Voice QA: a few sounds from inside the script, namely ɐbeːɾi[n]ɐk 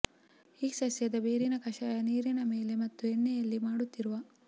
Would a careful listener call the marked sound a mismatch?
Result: no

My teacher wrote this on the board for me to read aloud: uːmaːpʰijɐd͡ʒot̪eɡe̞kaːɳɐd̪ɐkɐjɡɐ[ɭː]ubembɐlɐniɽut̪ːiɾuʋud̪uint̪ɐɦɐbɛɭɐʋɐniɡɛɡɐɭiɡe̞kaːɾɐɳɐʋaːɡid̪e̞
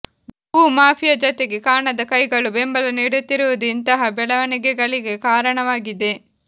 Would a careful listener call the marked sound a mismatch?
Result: yes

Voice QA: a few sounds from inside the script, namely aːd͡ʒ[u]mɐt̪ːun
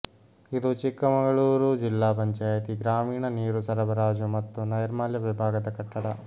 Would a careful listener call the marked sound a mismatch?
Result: no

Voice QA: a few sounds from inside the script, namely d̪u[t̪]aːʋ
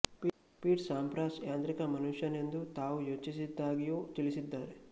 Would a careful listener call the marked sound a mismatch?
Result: no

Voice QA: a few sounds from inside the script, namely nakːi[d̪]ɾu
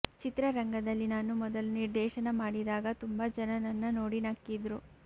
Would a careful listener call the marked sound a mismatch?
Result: no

